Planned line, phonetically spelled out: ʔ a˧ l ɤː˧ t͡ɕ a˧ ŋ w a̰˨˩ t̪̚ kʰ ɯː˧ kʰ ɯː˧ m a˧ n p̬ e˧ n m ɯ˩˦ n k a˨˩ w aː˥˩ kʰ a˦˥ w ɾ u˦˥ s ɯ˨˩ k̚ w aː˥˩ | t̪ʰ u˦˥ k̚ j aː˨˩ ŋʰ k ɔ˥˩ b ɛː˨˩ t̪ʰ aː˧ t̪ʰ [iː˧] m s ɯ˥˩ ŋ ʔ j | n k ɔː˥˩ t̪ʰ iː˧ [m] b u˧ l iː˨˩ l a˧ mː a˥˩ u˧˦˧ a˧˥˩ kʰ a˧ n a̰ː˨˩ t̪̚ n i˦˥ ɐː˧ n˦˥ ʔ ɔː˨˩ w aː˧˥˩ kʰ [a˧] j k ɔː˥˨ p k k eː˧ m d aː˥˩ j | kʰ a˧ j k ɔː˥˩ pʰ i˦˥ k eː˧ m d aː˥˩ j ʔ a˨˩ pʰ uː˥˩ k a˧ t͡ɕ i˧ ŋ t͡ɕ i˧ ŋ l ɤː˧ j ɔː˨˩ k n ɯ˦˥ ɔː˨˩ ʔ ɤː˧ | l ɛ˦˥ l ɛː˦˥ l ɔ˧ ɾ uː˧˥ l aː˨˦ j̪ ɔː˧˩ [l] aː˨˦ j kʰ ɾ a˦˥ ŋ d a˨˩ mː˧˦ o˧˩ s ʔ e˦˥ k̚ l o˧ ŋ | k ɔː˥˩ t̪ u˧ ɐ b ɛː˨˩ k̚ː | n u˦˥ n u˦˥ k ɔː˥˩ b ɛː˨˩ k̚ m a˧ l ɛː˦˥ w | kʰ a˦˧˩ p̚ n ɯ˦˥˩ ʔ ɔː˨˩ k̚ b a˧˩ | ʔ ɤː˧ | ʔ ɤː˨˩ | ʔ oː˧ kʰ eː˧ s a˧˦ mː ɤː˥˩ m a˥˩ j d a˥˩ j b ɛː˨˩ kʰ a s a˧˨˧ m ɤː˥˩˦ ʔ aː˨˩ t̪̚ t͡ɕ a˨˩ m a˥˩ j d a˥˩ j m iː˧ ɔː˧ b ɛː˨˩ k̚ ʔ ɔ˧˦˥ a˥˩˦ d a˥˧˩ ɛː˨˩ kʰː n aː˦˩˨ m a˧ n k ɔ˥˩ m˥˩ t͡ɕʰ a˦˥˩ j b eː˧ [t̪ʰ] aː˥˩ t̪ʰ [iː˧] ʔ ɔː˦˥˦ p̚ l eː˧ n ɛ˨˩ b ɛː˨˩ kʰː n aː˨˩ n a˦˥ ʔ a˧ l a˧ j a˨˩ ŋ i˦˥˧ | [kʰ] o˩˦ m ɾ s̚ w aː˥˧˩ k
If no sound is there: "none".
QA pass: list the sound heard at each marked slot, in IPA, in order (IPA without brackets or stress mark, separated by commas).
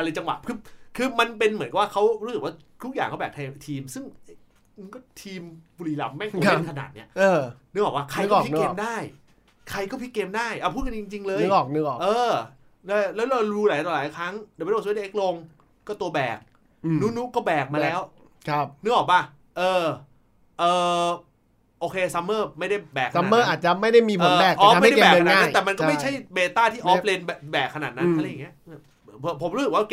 iː˧, m, a˧, l, t̪, iː˥˩, pʰ